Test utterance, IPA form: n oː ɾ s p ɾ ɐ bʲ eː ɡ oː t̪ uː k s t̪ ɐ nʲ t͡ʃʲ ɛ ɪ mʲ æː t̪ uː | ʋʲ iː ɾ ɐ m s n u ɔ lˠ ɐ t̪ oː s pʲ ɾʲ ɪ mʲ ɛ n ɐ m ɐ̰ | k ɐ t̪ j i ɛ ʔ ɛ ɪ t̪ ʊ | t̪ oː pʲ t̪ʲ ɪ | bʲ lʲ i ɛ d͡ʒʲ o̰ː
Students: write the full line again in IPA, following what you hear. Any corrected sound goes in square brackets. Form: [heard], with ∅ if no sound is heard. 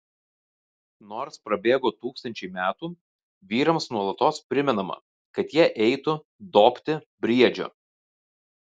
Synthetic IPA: n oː ɾ s p ɾ ɐ bʲ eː ɡ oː t̪ uː k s t̪ ɐ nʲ t͡ʃʲ ɛ ɪ mʲ æː t̪ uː | ʋʲ iː ɾ ɐ m s n u ɔ lˠ ɐ t̪ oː s pʲ ɾʲ ɪ mʲ ɛ n ɐ m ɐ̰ | k ɐ t̪ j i ɛ ʔ ɛ ɪ t̪ ʊ | [d̪] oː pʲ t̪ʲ ɪ | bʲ [ɾʲ] i ɛ d͡ʒʲ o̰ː

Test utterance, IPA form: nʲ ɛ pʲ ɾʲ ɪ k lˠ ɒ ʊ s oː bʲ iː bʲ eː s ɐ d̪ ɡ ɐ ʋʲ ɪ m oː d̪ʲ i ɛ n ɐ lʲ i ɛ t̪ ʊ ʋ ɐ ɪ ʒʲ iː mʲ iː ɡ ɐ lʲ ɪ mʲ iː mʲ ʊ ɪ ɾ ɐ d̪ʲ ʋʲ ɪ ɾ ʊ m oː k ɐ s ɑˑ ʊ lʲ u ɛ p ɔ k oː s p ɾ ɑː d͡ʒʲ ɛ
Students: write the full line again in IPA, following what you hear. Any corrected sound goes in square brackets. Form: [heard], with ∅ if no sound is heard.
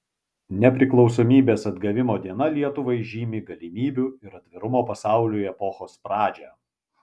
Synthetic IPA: nʲ ɛ pʲ ɾʲ ɪ k lˠ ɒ ʊ s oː [mʲ] iː bʲ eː s ɐ d̪ ɡ ɐ ʋʲ ɪ m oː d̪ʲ i ɛ n ɐ lʲ i ɛ t̪ ʊ ʋ ɐ ɪ ʒʲ iː mʲ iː ɡ ɐ lʲ ɪ mʲ iː [bʲ] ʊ ɪ ɾ ɐ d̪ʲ ʋʲ ɪ ɾ ʊ m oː [p] ɐ s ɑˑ ʊ lʲ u ɛ p ɔ [x] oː s p ɾ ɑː d͡ʒʲ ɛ

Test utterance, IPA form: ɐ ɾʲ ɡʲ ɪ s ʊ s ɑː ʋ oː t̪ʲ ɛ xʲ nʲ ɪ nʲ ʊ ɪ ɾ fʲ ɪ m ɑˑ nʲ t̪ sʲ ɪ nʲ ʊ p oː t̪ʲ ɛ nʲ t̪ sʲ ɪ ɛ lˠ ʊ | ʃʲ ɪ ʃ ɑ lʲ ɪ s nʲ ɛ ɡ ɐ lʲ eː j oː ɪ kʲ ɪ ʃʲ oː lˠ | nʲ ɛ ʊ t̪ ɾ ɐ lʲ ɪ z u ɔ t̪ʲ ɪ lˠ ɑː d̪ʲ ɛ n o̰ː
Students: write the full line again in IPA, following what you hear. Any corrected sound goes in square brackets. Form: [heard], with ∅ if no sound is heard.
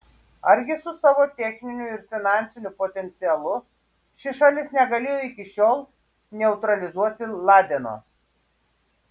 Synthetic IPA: ɐ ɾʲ ɡʲ ɪ s ʊ s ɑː ʋ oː t̪ʲ ɛ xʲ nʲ ɪ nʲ ʊ ɪ ɾ fʲ ɪ [n] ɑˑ nʲ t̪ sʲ ɪ nʲ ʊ p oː t̪ʲ ɛ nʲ t̪ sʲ ɪ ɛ lˠ ʊ | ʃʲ ɪ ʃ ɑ lʲ ɪ s nʲ ɛ ɡ ɐ lʲ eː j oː ɪ kʲ ɪ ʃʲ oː lˠ | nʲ ɛ ʊ t̪ ɾ ɐ lʲ ɪ z u ɔ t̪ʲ ɪ lˠ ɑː d̪ʲ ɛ n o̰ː

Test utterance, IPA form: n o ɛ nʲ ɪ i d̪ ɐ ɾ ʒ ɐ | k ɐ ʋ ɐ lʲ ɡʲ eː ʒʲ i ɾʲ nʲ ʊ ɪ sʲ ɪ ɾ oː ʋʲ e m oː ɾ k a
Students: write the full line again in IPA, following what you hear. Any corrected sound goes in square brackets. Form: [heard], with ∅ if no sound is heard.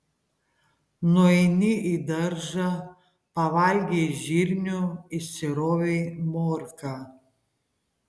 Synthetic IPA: n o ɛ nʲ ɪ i d̪ ɐ ɾ ʒ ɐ | [p] ɐ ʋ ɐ lʲ ɡʲ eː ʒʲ i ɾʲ nʲ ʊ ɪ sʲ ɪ ɾ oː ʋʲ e m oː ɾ k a

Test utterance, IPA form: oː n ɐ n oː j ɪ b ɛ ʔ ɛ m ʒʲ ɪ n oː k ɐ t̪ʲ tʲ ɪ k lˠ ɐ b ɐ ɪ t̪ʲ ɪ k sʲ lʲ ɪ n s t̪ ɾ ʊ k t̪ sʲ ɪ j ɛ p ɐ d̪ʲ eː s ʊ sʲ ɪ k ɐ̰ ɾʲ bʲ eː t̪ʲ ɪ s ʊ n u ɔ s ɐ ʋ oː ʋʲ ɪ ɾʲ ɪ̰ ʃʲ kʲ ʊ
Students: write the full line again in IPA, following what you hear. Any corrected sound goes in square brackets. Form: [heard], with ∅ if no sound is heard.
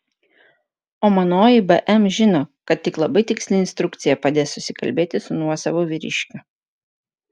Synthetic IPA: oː [m] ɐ n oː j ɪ b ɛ ʔ ɛ m ʒʲ ɪ n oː k ɐ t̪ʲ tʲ ɪ k lˠ ɐ b ɐ ɪ t̪ʲ ɪ k sʲ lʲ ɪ n s t̪ ɾ ʊ k t̪ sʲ ɪ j ɛ p ɐ d̪ʲ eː s ʊ sʲ ɪ k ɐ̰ [lʲ] bʲ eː t̪ʲ ɪ s ʊ n u ɔ s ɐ ʋ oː ʋʲ ɪ ɾʲ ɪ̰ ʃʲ kʲ ʊ

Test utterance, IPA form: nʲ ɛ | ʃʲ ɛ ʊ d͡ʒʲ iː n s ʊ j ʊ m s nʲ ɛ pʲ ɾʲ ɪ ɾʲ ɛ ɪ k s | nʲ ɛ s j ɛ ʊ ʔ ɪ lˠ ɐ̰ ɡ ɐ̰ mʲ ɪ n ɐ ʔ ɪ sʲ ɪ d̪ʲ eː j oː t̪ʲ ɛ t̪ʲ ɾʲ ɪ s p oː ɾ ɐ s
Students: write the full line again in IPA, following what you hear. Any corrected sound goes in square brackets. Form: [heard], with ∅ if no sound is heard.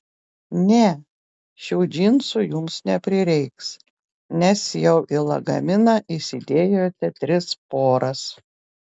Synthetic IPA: nʲ ɛ | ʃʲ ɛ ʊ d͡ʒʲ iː n s ʊ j ʊ m s nʲ ɛ pʲ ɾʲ ɪ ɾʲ ɛ ɪ k s | nʲ ɛ s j ɛ ʊ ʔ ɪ lˠ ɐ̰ ɡ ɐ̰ mʲ ɪ n ɐ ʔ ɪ sʲ ɪ d̪ʲ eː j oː t̪ʲ ɛ t̪ʲ ɾʲ ɪ s p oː ɾ ɐ s

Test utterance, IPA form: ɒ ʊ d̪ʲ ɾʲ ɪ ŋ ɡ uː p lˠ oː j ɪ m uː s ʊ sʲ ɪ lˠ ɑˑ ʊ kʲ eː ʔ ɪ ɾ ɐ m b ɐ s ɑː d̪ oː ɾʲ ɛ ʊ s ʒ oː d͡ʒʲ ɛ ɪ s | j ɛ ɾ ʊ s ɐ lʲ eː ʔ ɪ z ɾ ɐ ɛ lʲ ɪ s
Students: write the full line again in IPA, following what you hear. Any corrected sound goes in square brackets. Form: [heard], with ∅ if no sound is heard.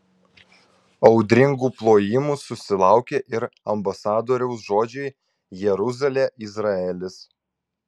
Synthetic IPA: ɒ ʊ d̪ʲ ɾʲ ɪ ŋ ɡ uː p lˠ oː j ɪ m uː s ʊ sʲ ɪ lˠ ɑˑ ʊ kʲ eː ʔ ɪ ɾ ɐ m b ɐ s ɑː d̪ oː ɾʲ ɛ ʊ s ʒ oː d͡ʒʲ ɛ ɪ [∅] | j ɛ ɾ ʊ [z] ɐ lʲ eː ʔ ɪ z ɾ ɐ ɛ lʲ ɪ s

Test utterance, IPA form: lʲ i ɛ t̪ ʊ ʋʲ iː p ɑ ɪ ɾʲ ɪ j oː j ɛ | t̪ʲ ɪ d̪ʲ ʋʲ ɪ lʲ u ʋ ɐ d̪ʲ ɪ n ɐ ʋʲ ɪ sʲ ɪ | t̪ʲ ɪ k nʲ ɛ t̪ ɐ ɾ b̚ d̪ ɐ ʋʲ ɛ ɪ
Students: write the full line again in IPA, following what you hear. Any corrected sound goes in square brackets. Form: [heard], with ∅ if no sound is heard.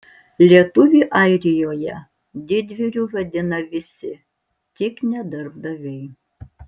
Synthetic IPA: lʲ i ɛ t̪ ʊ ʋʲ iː [ʔ] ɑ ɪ ɾʲ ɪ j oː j ɛ | [d̪ʲ] ɪ d̪ʲ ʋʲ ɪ [ɾʲ] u ʋ ɐ d̪ʲ ɪ n ɐ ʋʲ ɪ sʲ ɪ | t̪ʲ ɪ k nʲ ɛ [d̪] ɐ ɾ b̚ d̪ ɐ ʋʲ ɛ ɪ

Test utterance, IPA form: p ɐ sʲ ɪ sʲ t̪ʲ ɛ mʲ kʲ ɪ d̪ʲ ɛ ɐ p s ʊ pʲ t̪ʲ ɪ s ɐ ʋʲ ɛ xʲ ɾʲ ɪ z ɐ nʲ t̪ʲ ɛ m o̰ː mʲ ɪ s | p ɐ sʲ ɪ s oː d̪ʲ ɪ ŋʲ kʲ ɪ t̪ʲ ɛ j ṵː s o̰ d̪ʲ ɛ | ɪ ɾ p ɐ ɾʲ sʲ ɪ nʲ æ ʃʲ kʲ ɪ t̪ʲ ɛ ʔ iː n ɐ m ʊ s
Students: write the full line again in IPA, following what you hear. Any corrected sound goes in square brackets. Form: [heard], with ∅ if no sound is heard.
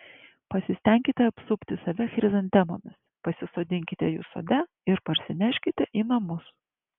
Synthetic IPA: p ɐ sʲ ɪ sʲ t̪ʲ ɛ [ŋʲ] kʲ ɪ [t̪ʲ] ɛ ɐ p s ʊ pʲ t̪ʲ ɪ s ɐ ʋʲ ɛ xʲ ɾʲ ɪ z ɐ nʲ t̪ʲ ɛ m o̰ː mʲ ɪ s | p ɐ sʲ ɪ s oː d̪ʲ ɪ ŋʲ kʲ ɪ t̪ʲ ɛ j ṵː s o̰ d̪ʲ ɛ | ɪ ɾ p ɐ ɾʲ sʲ ɪ nʲ æ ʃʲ kʲ ɪ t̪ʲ ɛ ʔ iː n ɐ m ʊ s

